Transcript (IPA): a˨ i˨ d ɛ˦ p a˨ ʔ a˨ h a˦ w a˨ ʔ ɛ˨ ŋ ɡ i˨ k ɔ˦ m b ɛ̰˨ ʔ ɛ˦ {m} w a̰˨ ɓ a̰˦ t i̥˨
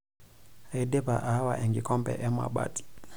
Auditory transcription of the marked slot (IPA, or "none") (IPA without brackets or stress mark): m